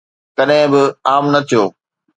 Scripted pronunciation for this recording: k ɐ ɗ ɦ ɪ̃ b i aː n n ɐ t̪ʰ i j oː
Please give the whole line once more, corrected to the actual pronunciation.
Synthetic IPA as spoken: k ɐ ɗ ɦ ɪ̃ b ɪ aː m n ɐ t̪ʰ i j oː